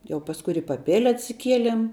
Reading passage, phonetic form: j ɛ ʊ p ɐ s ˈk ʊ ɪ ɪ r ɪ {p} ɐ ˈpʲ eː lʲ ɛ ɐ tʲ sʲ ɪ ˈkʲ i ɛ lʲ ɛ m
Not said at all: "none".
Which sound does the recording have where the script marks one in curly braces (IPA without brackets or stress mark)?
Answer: p